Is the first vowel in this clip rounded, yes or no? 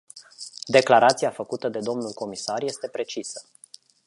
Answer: no